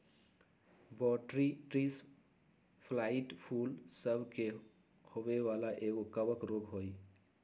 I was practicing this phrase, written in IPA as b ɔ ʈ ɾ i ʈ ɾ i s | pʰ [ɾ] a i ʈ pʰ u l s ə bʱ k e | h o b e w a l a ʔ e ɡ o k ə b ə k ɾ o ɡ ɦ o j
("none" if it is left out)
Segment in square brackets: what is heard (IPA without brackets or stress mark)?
l